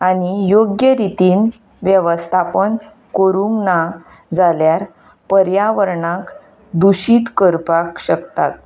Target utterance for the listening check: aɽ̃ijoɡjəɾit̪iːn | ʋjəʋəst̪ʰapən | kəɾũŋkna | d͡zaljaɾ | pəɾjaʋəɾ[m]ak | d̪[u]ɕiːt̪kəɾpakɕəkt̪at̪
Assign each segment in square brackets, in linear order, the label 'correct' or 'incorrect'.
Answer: incorrect: ɳ, correct

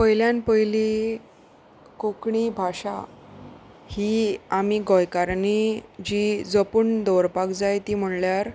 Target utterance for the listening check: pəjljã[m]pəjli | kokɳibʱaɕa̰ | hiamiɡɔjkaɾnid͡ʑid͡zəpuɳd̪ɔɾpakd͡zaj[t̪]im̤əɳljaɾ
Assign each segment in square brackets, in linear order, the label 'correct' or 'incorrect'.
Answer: incorrect: n, correct

